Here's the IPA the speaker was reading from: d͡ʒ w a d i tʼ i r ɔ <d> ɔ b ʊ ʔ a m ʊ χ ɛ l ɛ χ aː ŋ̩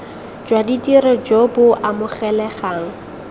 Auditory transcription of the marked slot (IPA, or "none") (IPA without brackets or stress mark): d͡ʒ